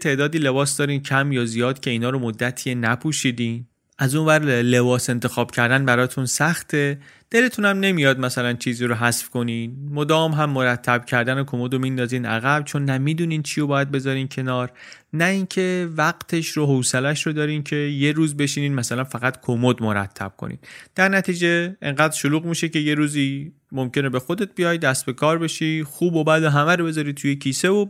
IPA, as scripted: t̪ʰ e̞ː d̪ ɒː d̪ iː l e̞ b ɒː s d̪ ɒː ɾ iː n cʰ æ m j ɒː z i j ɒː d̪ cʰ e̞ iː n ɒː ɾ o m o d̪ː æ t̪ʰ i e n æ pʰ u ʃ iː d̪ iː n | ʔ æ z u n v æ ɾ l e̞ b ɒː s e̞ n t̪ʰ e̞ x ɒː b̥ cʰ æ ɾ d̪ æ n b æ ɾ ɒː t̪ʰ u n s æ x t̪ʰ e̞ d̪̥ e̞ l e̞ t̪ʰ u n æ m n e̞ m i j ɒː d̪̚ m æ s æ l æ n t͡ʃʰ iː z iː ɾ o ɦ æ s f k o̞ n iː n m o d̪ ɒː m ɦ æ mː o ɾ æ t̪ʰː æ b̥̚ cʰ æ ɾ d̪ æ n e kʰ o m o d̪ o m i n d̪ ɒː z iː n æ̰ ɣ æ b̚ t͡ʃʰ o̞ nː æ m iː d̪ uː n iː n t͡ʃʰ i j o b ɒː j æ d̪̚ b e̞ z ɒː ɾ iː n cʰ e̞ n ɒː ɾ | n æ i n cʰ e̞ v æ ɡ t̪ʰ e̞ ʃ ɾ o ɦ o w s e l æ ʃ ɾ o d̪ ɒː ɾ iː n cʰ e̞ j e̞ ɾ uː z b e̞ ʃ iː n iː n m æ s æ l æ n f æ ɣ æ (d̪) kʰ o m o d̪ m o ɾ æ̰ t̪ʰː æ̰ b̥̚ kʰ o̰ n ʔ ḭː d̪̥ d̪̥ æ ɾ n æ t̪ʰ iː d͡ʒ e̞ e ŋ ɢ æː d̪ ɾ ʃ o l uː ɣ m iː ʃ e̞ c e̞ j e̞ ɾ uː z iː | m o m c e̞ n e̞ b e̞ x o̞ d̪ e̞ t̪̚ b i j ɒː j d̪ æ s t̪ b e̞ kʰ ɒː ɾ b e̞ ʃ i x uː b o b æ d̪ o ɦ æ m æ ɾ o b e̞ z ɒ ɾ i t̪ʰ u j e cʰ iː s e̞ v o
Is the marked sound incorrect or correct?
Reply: incorrect